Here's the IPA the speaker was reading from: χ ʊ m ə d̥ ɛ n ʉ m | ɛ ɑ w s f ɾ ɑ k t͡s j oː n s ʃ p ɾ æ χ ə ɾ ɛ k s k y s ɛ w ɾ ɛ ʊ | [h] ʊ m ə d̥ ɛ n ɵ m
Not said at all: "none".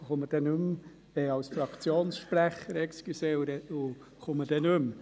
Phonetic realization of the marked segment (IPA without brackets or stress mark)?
χ